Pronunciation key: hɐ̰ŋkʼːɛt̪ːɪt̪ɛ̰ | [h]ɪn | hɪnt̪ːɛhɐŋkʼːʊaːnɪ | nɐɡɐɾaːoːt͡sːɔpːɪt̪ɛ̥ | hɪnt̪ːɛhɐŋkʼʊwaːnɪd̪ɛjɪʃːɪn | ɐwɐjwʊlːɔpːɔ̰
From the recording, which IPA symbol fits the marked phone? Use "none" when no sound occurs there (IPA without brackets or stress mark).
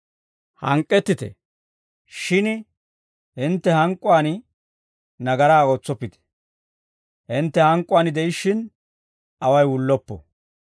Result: ʃ